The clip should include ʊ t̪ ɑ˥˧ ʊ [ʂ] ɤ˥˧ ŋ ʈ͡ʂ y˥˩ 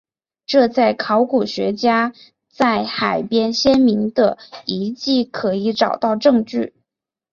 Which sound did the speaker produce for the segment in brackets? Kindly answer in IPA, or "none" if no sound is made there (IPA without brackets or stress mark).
ʈ͡ʂ